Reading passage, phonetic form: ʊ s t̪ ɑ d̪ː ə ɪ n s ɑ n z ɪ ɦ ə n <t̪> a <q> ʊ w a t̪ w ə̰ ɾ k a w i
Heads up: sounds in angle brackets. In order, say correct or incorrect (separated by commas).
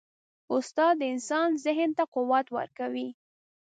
correct, correct